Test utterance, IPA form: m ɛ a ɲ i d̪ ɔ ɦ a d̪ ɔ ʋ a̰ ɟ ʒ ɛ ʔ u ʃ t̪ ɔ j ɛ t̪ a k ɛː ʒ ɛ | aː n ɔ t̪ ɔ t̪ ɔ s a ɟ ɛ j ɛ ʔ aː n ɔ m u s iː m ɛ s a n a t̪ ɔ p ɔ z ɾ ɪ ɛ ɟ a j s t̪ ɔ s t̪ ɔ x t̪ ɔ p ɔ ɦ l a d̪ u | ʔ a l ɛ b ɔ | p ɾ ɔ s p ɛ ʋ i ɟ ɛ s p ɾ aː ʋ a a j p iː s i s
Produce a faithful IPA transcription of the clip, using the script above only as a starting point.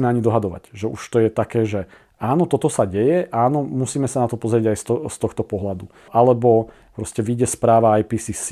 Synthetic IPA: m ɛ a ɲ i d̪ ɔ ɦ a d̪ ɔ ʋ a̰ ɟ ʒ ɛ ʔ u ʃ t̪ ɔ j ɛ t̪ a k ɛː ʒ ɛ | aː n ɔ t̪ ɔ t̪ ɔ s a ɟ ɛ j ɛ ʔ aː n ɔ m u s iː m ɛ s a n a t̪ ɔ p ɔ z ɾ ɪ ɛ ɟ a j s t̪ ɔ s t̪ ɔ x t̪ ɔ p ɔ ɦ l a d̪ u | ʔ a l ɛ b ɔ | p ɾ ɔ s c ɛ ʋ i ɟ ɛ s p ɾ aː ʋ a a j p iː s i s